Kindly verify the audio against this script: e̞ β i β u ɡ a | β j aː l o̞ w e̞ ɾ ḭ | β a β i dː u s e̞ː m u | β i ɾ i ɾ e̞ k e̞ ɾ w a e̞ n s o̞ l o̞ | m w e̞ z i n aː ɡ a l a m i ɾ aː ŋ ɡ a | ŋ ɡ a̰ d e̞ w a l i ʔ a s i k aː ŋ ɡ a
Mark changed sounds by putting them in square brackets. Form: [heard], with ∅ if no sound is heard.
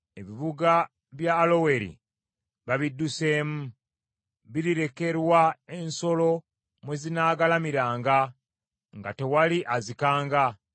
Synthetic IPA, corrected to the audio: e̞ β i β u ɡ a | β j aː l o̞ w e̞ ɾ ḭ | β a β i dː u s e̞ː m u | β i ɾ i ɾ e̞ k e̞ ɾ w a e̞ n s o̞ l o̞ | m w e̞ z i n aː ɡ a l a m i ɾ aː ŋ ɡ a | ŋ ɡ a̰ [t] e̞ w a l i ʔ a [z] i k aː ŋ ɡ a

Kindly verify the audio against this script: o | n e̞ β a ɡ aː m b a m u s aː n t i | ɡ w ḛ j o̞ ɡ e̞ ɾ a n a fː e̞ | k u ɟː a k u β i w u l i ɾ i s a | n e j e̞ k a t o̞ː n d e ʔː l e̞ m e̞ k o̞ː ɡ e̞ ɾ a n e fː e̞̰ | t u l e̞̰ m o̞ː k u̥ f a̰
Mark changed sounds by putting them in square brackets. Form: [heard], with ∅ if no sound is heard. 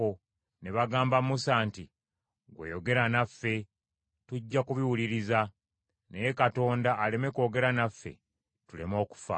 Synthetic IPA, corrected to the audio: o | n e̞ β a ɡ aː m b a m u s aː n t i | ɡ w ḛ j o̞ ɡ e̞ ɾ a n a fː e̞ | [t] u ɟː a k u β i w u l i ɾ i [z] a | n e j e̞ k a t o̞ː n d [a] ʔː l e̞ m e̞ k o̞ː ɡ e̞ ɾ a n [a] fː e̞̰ | t u l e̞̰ m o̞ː k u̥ f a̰

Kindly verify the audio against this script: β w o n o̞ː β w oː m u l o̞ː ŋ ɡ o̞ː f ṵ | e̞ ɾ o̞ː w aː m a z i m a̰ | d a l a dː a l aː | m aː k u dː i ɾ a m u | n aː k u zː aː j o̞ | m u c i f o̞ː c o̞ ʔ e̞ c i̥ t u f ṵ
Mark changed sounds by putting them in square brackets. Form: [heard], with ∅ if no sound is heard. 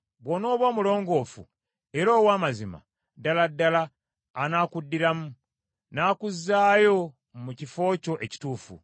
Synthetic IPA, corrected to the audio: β w o n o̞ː β w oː m u l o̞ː ŋ ɡ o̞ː f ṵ | e̞ ɾ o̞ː w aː m a z i m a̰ | d a l a dː a l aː | [n] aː k u dː i ɾ a m u | n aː k u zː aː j o̞ | m u c i f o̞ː c o̞ ʔ e̞ c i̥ t [uː] f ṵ

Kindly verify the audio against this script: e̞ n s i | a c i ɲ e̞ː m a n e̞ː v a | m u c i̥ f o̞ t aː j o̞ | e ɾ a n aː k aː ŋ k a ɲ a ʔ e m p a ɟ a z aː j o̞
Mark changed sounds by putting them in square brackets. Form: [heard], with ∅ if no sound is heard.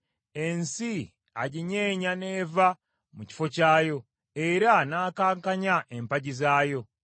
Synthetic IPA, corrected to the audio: e̞ n s i | a [ɟ] i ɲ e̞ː [ɲ] a n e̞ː v a | m u c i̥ f o̞ [c] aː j o̞ | e ɾ a n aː k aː ŋ k a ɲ a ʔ e m p a ɟ [i] z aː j o̞

